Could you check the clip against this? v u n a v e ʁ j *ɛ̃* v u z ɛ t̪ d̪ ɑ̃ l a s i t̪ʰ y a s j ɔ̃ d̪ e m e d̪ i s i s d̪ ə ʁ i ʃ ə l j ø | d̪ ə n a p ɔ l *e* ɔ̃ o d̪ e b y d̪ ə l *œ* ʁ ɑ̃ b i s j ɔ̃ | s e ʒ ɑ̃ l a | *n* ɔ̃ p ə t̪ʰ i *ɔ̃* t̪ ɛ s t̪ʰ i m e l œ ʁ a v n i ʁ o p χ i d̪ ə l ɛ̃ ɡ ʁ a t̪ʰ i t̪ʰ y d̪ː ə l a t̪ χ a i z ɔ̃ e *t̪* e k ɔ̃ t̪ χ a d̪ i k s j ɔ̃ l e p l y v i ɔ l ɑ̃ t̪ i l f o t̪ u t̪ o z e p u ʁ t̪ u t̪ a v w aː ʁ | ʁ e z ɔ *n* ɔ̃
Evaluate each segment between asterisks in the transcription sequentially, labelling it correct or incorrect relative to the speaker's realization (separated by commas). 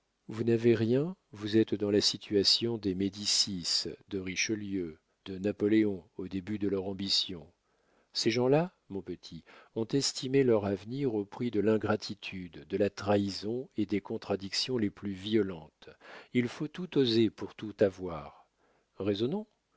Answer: correct, correct, correct, incorrect, correct, incorrect, correct